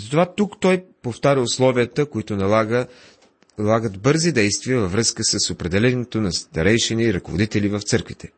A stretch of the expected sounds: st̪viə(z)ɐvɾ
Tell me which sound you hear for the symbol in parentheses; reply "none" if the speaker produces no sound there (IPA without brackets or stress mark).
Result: v